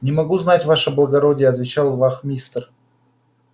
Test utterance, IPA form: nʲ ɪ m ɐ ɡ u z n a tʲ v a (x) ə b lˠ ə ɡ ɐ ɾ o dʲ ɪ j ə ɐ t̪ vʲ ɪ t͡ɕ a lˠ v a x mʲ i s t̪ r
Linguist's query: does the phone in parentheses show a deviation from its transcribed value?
yes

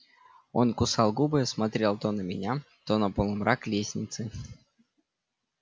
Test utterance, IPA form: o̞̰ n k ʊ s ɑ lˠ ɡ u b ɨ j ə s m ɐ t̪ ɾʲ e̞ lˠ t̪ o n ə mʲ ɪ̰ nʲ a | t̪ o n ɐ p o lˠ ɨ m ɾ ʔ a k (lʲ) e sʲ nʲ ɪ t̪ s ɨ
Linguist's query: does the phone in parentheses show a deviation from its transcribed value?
no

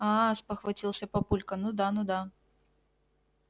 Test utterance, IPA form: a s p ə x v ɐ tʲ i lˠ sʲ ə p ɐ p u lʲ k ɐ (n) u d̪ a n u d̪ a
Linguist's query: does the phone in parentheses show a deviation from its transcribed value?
no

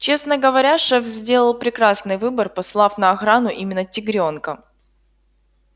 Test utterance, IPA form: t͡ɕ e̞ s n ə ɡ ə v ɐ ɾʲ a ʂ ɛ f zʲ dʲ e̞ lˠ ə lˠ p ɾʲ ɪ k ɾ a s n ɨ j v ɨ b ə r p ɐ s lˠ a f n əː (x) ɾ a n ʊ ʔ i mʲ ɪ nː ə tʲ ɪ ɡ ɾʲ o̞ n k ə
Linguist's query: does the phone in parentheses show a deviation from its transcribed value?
no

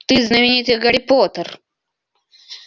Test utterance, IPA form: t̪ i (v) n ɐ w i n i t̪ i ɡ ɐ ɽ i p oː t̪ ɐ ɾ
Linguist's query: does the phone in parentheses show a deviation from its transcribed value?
yes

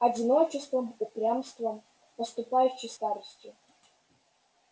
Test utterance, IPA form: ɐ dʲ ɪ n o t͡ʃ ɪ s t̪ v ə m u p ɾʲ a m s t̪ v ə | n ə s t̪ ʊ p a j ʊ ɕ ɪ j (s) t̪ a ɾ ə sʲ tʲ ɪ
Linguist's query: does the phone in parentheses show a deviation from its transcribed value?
no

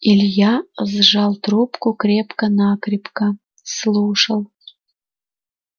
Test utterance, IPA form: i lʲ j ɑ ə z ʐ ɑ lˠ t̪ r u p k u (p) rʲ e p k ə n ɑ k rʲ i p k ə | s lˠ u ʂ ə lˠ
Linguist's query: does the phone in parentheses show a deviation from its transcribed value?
yes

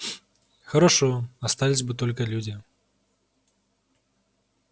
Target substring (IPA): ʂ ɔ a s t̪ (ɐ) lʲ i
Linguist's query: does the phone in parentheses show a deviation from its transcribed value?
yes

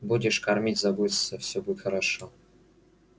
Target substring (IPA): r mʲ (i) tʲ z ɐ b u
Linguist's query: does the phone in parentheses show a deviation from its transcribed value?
no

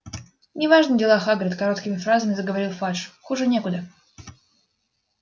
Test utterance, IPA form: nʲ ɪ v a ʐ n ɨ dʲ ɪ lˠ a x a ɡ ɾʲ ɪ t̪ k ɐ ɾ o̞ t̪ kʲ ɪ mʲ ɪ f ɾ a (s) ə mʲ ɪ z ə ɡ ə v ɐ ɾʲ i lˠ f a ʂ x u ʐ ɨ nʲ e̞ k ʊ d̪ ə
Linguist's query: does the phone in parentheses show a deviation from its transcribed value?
yes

